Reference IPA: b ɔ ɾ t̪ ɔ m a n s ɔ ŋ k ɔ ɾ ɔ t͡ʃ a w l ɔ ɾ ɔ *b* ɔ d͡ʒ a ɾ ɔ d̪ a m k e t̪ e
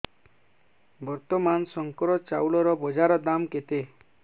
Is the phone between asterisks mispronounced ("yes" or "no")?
no